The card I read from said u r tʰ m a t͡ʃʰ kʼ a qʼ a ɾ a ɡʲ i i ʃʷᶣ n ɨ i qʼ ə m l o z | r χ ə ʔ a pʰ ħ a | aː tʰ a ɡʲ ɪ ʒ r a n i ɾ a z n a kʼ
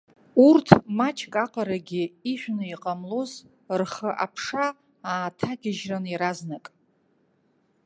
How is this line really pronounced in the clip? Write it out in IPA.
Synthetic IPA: u r tʰ m a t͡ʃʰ kʼ a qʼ a ɾ a ɡʲ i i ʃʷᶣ n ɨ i qʼ a m l o z | r χ ə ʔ a pʰ ʂ a | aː tʰ a ɡʲ ɪ ʒ r a n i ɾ a z n a kʼ